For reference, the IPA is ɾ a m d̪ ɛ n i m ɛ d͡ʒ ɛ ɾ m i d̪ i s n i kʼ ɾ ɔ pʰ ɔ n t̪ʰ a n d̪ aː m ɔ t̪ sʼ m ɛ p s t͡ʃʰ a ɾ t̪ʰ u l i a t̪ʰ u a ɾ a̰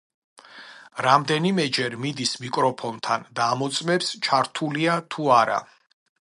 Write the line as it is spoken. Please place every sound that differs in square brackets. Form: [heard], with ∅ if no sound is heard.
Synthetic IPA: ɾ a m d̪ ɛ n i m ɛ d͡ʒ ɛ ɾ m i d̪ i s [m] i kʼ ɾ ɔ pʰ ɔ n t̪ʰ a n d̪ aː m ɔ t̪ sʼ m ɛ p s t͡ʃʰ a ɾ t̪ʰ u l i a t̪ʰ u a ɾ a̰